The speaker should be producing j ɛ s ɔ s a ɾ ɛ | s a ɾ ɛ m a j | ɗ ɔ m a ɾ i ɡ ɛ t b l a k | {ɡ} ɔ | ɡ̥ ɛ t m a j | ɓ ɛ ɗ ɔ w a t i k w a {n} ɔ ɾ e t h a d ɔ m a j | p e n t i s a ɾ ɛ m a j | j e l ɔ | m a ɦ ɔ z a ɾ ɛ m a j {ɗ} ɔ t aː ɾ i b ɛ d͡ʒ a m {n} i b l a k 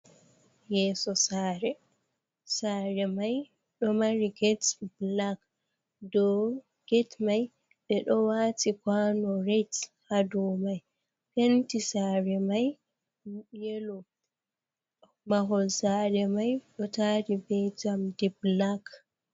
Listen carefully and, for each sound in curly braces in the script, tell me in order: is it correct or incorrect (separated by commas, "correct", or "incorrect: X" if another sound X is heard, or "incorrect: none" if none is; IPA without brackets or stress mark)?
incorrect: d, correct, correct, incorrect: d